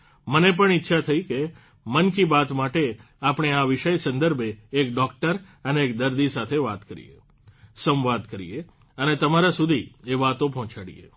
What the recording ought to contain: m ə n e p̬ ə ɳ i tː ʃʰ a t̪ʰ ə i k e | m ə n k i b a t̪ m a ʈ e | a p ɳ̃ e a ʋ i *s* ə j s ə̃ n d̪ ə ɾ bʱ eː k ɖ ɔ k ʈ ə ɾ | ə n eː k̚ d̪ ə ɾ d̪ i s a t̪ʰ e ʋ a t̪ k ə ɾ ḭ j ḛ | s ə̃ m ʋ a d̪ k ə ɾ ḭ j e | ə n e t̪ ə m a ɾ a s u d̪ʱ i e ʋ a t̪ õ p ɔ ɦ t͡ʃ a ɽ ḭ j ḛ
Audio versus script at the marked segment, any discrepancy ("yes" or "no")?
yes